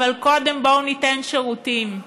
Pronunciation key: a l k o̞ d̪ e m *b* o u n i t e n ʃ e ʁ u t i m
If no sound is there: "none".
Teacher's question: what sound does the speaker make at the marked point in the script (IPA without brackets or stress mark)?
b